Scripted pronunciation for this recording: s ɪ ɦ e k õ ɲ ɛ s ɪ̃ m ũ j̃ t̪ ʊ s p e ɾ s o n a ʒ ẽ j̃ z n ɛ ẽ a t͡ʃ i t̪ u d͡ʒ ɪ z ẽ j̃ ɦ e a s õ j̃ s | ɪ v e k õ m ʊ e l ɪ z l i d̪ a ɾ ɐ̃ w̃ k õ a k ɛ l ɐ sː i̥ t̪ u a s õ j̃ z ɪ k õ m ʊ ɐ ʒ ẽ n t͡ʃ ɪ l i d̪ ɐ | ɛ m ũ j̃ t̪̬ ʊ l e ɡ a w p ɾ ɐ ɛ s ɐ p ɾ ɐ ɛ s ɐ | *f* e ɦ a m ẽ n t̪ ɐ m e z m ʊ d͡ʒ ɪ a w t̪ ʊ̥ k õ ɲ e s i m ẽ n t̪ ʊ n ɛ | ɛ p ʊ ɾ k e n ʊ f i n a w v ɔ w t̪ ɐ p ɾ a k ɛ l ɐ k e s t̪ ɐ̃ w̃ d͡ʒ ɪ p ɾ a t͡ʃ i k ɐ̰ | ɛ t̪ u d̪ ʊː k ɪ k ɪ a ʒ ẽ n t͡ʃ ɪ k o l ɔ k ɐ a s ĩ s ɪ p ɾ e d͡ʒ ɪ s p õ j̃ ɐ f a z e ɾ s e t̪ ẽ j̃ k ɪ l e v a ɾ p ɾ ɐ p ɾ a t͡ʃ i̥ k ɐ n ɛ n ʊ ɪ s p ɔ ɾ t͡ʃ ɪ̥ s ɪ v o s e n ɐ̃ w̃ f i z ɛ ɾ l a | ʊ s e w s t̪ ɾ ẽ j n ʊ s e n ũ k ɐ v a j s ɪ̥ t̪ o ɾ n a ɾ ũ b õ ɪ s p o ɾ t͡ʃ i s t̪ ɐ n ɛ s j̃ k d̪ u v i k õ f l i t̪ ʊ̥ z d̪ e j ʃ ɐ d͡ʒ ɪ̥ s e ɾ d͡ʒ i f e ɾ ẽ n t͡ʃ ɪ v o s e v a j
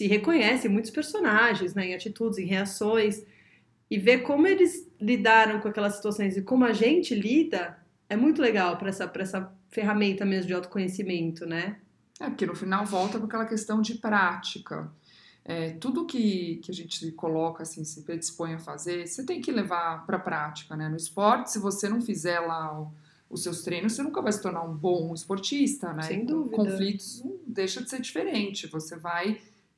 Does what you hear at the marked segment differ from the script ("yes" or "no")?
no